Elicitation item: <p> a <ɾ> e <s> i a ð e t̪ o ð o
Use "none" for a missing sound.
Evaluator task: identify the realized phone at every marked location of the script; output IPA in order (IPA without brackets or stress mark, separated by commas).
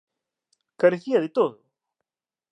k, ɾ, θ